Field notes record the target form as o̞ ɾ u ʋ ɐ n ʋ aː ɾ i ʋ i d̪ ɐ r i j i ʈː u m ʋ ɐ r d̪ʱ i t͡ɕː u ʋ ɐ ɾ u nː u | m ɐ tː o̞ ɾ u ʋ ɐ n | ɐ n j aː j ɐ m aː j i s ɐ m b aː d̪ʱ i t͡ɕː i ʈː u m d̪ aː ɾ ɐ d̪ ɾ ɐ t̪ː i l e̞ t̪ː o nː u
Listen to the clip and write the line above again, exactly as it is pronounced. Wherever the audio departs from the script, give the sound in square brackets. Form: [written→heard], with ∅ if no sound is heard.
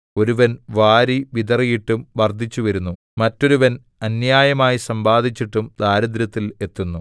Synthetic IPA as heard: o̞ ɾ u ʋ ɐ n ʋ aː ɾ i ʋ i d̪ ɐ r i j i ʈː u m ʋ ɐ r d̪ʱ i t͡ɕː u ʋ ɐ ɾ u nː u | m ɐ tː o̞ ɾ u ʋ ɐ n | ɐ n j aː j ɐ m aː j i s ɐ m b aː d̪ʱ i t͡ɕː i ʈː u m d̪ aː ɾ ɐ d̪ ɾ ɐ t̪ː i l e̞ t̪ː [o→u] nː u

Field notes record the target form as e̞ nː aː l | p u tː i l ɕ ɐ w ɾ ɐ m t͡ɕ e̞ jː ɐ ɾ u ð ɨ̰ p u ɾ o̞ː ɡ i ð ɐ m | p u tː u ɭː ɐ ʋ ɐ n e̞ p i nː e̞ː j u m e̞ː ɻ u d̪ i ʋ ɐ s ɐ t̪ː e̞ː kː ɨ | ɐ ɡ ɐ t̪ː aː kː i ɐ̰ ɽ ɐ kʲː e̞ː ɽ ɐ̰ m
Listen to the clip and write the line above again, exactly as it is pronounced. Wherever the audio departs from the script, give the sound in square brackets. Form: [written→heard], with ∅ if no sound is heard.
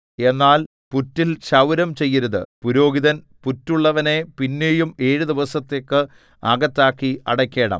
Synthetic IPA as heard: e̞ nː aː l | p u tː i l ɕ ɐ w ɾ ɐ m t͡ɕ e̞ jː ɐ ɾ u ð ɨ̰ p u ɾ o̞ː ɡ i ð ɐ [m→n] | p u tː u ɭː ɐ ʋ ɐ n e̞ p i nː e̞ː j u m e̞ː ɻ u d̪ i ʋ ɐ s ɐ t̪ː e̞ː kː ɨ | ɐ ɡ ɐ t̪ː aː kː i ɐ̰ ɽ ɐ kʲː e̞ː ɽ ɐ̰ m

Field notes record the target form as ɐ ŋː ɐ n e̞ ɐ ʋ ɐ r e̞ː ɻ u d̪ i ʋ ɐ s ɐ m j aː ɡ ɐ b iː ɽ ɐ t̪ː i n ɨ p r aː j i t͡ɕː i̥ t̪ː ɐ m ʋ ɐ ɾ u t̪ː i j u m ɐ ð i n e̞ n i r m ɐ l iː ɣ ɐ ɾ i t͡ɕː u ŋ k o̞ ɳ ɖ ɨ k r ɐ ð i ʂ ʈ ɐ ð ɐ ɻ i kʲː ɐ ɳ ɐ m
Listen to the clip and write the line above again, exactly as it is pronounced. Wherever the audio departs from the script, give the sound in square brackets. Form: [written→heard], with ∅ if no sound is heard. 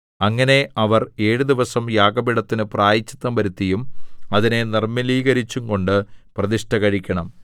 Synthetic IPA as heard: ɐ ŋː ɐ n e̞ ɐ ʋ ɐ r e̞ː ɻ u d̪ i ʋ ɐ s ɐ m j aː ɡ ɐ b [iː→i] ɽ ɐ t̪ː i n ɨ p r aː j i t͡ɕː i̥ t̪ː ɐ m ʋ ɐ ɾ u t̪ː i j u m ɐ ð i n e̞ n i r m ɐ l iː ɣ ɐ ɾ i t͡ɕː u ŋ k o̞ ɳ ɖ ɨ [k→p] r ɐ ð i ʂ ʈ ɐ [ð→ɣ] ɐ ɻ i kʲː ɐ ɳ ɐ m

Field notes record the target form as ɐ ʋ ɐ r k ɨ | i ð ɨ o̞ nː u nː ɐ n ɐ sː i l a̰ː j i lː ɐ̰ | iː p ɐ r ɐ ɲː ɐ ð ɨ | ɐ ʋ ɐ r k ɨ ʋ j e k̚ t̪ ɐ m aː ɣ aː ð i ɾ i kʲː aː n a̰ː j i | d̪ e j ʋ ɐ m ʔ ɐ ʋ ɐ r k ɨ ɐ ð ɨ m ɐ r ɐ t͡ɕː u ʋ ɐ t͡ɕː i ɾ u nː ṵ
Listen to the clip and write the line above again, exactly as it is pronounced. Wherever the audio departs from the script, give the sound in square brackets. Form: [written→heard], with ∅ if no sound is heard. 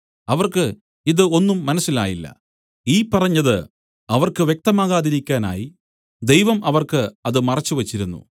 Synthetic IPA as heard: ɐ ʋ ɐ r k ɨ | i ð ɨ o̞ nː u [nː→mː] ɐ n ɐ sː i l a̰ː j i lː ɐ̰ | iː p ɐ r ɐ ɲː ɐ ð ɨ | ɐ ʋ ɐ r k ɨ ʋ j e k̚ t̪ ɐ m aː ɣ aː ð i ɾ i kʲː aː n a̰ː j i | d̪ e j ʋ ɐ m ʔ ɐ ʋ ɐ r k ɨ ɐ ð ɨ m ɐ r ɐ t͡ɕː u ʋ ɐ t͡ɕː i ɾ u nː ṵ

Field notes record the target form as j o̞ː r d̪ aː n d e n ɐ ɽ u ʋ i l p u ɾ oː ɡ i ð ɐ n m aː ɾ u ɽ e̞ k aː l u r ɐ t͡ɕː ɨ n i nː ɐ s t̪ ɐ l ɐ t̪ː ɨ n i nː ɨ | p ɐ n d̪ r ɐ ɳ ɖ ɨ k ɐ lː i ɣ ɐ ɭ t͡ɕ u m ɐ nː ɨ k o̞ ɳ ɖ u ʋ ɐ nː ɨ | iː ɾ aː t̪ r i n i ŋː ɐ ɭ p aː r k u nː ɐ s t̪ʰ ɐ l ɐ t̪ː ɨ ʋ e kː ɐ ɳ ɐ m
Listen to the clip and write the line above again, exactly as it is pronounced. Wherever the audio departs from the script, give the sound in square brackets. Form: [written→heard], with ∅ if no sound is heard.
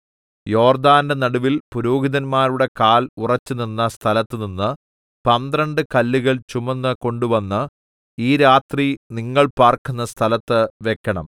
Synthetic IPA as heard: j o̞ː r d̪ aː n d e n ɐ ɽ u ʋ i l p u ɾ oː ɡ i ð ɐ n m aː ɾ u ɽ e̞ k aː l u r ɐ t͡ɕː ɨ n i nː ɐ s [t̪→t̪ʰ] ɐ l ɐ t̪ː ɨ n i nː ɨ | p ɐ n d̪ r ɐ ɳ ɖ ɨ k ɐ lː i ɣ ɐ ɭ t͡ɕ u m ɐ nː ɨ k o̞ ɳ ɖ u ʋ ɐ nː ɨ | iː ɾ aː t̪ r i n i ŋː ɐ ɭ p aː r k u nː ɐ s t̪ʰ ɐ l ɐ t̪ː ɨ ʋ e kː ɐ ɳ ɐ m

